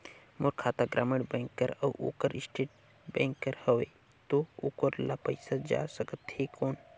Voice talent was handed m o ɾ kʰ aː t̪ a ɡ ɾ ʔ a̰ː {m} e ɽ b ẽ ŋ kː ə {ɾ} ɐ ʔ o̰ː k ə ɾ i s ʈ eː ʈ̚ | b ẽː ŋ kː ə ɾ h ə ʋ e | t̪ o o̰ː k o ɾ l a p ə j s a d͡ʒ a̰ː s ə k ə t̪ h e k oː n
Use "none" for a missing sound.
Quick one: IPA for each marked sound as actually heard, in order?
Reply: m, ɾ

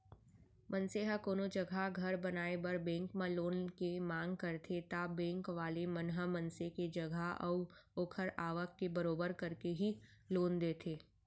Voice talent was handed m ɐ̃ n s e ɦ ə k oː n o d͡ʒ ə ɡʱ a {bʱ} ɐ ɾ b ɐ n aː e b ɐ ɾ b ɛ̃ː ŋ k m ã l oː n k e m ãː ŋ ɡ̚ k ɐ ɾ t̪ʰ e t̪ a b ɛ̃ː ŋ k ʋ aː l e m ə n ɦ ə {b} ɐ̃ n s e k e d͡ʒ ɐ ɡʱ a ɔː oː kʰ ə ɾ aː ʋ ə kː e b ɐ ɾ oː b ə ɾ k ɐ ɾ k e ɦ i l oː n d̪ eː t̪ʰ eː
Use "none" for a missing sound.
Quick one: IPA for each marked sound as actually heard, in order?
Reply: ɡʱ, m

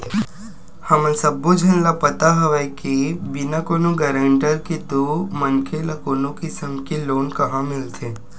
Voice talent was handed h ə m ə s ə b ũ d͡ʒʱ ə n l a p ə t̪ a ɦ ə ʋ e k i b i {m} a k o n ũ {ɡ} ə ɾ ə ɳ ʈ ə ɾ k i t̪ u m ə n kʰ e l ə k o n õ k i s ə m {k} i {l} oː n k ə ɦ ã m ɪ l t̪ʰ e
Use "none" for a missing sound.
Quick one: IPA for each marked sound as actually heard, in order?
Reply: n, ɡ, k, l

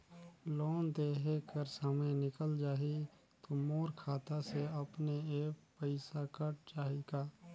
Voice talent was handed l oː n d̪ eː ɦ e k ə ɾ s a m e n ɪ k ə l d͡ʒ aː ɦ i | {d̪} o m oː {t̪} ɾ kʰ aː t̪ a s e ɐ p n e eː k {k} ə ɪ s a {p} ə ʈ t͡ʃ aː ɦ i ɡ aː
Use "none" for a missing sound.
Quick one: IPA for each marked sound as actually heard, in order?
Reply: t̪, none, p, k

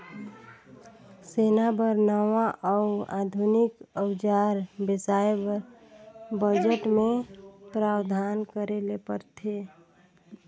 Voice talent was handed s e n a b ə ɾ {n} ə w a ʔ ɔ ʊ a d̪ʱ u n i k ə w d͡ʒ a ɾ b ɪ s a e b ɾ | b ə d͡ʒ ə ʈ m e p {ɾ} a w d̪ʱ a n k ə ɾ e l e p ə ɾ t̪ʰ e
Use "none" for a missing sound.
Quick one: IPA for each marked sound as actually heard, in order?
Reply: n, ɾ

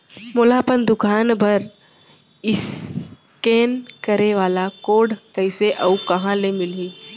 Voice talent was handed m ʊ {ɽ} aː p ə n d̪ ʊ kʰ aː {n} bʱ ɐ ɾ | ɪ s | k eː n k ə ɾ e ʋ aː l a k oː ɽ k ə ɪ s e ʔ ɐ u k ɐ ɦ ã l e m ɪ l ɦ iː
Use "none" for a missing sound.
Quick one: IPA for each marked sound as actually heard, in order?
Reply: l, n

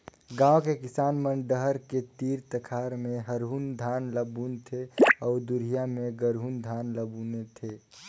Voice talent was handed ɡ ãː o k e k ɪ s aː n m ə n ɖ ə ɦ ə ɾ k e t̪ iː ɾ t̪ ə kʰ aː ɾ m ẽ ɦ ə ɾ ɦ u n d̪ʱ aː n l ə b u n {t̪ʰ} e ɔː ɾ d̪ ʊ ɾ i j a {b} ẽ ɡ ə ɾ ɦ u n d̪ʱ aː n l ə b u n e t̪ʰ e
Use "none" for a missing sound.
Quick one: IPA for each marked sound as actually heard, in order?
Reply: t̪ʰ, m

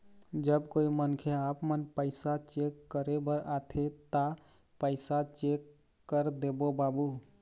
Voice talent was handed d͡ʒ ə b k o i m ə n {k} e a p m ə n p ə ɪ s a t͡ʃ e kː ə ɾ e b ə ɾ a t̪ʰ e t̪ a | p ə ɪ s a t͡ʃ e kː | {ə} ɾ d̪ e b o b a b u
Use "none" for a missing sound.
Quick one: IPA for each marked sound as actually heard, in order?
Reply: kʰ, ə

